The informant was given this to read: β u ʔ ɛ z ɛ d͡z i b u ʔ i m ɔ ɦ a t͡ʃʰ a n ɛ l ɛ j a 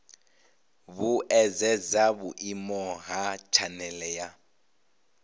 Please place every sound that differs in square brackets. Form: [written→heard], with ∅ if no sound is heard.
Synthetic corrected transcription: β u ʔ ɛ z ɛ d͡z [i→a] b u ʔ i m ɔ ɦ a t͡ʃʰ a n ɛ l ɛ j a